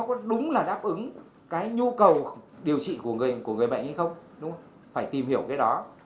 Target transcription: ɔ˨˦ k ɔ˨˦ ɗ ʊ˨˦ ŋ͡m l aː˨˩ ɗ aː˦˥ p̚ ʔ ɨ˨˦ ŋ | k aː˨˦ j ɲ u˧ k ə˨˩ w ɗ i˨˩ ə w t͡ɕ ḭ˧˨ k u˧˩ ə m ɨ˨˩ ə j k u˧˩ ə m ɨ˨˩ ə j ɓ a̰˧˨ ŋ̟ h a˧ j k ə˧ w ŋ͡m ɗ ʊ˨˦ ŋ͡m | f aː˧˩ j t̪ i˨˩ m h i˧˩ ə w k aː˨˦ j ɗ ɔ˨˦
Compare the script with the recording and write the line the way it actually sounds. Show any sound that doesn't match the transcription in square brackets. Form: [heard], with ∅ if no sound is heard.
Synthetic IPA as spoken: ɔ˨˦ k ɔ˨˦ ɗ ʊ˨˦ ŋ͡m l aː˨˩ ɗ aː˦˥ p̚ ʔ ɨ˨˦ ŋ | k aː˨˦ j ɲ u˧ k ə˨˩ w ɗ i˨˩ ə w t͡ɕ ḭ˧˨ k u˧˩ ə [ŋ] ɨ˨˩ ə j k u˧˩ ə [ŋ] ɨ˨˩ ə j ɓ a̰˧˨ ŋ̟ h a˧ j [x] ə˧ w ŋ͡m ɗ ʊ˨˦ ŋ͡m | f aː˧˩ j t̪ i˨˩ m h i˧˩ ə w k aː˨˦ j ɗ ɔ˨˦